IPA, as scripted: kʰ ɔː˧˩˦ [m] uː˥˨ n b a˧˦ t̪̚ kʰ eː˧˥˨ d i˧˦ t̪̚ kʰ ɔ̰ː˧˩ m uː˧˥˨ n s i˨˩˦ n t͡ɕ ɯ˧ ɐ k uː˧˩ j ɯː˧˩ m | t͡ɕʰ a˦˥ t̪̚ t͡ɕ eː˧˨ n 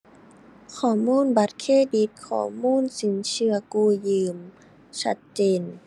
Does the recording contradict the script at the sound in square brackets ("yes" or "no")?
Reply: no